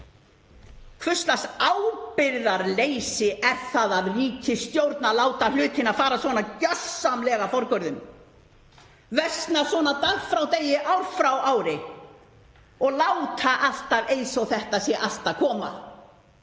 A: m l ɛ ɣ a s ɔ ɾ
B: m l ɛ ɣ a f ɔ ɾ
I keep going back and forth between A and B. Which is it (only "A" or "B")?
B